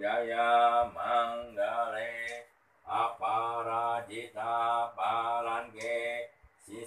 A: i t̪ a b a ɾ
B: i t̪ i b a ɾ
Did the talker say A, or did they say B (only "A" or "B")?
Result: A